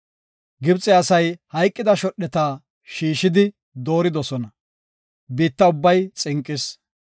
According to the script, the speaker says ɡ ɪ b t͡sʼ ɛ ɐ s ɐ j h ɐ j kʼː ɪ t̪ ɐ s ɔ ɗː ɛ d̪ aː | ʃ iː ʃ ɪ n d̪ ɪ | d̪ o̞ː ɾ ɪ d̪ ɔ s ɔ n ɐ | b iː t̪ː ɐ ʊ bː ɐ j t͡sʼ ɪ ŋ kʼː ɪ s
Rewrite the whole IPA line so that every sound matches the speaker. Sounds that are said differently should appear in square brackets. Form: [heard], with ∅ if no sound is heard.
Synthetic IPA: ɡ ɪ b t͡sʼ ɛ ɐ s ɐ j h ɐ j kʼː ɪ [d̪] ɐ [ʃ] ɔ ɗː ɛ [t̪] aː | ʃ iː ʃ ɪ [∅] d̪ ɪ | d̪ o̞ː ɾ ɪ d̪ ɔ s ɔ n ɐ | b iː t̪ː ɐ ʊ bː ɐ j t͡sʼ ɪ ŋ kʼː ɪ s